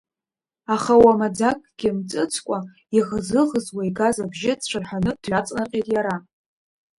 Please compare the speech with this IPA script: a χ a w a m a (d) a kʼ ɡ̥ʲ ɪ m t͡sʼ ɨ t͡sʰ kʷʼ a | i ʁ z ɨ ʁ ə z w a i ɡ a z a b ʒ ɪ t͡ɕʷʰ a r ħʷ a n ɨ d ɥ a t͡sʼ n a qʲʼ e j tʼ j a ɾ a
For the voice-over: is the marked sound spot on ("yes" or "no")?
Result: no